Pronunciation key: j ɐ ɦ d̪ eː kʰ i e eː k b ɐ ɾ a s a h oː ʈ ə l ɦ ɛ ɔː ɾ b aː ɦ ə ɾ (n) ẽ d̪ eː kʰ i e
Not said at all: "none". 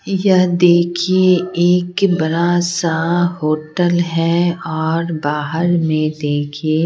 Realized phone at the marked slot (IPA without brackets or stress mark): m